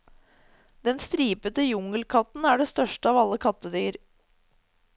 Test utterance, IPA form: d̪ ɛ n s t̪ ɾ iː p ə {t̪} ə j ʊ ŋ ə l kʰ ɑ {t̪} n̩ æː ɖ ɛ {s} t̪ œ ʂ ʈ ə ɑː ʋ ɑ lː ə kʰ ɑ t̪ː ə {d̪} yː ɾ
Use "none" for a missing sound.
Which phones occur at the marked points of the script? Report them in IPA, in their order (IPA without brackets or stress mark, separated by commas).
t̪, t̪, s, d̪